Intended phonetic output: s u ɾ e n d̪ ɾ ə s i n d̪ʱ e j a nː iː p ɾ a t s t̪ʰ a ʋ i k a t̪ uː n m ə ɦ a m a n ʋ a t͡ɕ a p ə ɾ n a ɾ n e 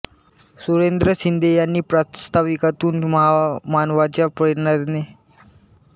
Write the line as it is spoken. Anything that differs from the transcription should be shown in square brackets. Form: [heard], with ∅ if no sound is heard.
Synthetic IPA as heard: s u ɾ e n d̪ ɾ ə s i n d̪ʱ e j a nː iː p ɾ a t s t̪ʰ a ʋ i k a t̪ uː n m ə ɦ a m a n ʋ a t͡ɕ a p ə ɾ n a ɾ n e